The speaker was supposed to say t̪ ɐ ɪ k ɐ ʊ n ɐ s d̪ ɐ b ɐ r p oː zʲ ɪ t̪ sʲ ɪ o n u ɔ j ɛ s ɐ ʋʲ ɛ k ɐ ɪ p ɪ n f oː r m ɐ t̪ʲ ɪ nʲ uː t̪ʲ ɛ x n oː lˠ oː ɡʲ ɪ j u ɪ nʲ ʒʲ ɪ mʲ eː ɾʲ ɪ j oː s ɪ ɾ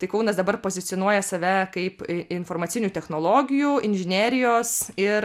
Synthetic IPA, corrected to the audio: t̪ ɐ ɪ k ɐ ʊ n ɐ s d̪ ɐ b ɐ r p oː zʲ ɪ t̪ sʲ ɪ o n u ɔ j ɛ s ɐ ʋʲ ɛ k ɐ ɪ p ɪ n f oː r m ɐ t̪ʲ ɪ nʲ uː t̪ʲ ɛ x n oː lˠ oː ɡʲ ɪ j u ɪ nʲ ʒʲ ɪ nʲ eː ɾʲ ɪ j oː s ɪ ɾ